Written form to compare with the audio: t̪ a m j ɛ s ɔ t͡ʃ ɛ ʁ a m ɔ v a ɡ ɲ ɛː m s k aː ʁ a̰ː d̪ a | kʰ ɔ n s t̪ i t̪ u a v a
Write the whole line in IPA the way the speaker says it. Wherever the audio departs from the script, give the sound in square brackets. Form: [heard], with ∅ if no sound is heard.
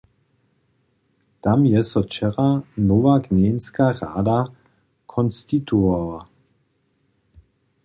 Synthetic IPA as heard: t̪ a m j ɛ s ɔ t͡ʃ ɛ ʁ a [n] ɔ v a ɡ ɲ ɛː [n] s k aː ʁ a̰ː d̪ a | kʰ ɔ n s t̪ i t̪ u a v a